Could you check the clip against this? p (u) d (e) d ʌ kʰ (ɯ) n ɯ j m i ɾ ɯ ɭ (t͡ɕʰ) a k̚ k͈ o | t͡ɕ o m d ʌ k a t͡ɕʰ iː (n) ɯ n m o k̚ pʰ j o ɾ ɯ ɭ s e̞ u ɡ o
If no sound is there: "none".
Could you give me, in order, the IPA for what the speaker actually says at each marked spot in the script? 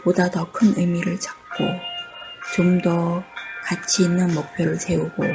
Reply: o, a, ɯ, t͡ɕ, nː

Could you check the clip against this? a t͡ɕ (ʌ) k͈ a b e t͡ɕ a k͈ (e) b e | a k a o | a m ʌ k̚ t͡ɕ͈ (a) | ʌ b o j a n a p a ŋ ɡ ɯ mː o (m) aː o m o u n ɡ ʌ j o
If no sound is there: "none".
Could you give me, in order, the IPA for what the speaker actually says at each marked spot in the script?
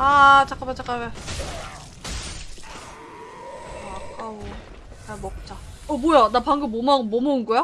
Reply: a, a, a, m

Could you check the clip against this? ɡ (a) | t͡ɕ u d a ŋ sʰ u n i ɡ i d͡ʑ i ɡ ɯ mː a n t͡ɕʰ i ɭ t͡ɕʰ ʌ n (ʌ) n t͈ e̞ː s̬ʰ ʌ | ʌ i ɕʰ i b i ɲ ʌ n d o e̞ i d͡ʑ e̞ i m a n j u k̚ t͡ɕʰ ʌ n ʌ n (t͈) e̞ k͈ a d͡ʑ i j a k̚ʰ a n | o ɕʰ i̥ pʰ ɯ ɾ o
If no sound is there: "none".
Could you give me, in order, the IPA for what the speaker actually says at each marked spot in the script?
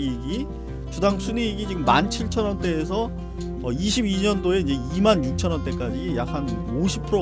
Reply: i, ʌ, t͈

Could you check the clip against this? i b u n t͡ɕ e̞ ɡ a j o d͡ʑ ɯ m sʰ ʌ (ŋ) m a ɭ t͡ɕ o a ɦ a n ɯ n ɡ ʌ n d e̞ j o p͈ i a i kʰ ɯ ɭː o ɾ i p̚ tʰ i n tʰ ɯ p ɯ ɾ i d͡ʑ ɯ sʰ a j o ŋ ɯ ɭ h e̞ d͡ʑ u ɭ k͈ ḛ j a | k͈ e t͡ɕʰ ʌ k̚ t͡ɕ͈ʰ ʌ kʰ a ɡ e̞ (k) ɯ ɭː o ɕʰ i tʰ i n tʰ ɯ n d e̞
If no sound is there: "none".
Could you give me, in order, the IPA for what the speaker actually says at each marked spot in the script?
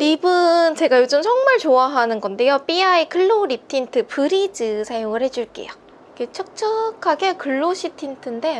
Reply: ŋ, k

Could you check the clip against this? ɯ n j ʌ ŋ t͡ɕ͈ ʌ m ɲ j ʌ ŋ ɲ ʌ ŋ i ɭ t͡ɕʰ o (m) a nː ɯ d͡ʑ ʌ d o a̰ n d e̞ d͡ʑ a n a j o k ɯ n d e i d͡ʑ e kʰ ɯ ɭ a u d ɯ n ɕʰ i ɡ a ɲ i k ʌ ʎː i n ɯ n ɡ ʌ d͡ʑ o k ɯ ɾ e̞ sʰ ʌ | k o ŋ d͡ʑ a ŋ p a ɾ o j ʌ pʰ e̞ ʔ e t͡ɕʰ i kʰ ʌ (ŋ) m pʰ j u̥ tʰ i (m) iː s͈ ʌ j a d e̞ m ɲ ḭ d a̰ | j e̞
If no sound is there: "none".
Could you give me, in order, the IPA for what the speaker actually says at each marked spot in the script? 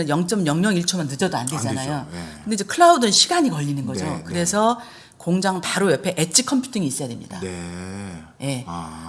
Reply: m, none, ŋ

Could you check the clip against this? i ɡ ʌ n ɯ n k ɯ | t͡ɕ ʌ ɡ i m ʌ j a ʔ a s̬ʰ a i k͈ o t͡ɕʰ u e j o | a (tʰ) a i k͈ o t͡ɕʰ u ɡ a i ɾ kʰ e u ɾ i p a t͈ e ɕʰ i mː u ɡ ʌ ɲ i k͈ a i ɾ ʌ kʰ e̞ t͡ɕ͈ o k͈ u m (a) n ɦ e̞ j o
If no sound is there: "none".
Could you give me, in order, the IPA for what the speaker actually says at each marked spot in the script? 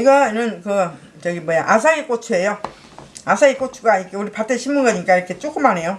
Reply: sʰ, a

